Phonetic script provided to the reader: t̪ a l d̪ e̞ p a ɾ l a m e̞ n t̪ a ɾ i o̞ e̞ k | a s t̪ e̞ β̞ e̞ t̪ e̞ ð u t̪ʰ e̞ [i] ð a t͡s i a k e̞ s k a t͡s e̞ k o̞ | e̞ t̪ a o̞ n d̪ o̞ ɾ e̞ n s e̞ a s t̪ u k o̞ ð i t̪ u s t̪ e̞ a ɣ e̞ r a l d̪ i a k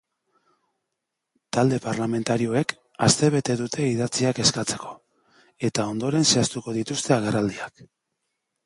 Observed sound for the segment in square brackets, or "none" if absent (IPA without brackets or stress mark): i